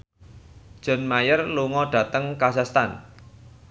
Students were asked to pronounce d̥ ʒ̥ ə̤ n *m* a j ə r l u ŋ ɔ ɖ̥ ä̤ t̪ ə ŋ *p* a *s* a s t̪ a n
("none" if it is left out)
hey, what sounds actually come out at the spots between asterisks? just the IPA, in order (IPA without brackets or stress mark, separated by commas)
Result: m, k, s